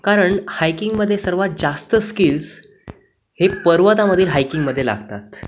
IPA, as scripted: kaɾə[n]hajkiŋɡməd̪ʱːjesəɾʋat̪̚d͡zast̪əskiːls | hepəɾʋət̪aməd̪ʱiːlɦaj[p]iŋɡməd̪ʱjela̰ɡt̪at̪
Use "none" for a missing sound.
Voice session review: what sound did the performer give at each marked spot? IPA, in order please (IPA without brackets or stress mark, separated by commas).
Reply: ɳ, k